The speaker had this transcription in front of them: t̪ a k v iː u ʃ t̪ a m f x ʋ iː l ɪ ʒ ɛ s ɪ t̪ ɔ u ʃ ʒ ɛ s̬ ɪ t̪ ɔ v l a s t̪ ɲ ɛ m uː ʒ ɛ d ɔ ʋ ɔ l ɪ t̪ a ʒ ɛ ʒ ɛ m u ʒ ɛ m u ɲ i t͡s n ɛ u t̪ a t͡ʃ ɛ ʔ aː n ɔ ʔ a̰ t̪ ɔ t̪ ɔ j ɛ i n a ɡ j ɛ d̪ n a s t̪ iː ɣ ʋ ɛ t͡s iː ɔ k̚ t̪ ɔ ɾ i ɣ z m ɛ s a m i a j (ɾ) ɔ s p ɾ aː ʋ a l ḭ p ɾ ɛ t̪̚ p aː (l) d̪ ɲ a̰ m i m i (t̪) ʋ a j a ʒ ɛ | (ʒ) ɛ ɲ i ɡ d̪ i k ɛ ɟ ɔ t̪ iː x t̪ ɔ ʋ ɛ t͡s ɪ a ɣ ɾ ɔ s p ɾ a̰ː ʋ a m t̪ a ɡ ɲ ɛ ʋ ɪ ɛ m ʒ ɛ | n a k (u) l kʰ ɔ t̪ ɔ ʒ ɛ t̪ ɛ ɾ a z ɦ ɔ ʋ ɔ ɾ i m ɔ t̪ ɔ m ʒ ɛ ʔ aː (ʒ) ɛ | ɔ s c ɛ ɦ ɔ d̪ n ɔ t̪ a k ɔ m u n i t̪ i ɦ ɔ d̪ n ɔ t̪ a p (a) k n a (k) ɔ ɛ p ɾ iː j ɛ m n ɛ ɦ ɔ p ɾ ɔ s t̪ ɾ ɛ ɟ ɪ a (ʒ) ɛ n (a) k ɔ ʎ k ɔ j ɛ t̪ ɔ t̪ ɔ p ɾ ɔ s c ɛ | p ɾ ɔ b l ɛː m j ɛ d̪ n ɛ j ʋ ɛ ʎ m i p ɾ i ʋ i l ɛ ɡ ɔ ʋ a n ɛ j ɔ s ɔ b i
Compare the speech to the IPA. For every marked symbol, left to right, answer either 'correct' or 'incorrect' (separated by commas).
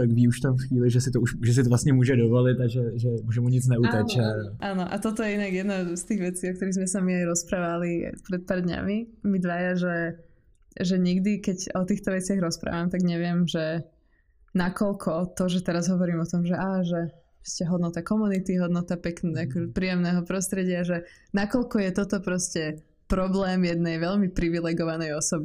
correct, incorrect, incorrect, correct, incorrect, correct, incorrect, correct, correct, correct